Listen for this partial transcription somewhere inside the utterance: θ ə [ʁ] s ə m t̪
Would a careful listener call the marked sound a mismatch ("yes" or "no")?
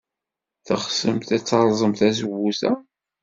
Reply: yes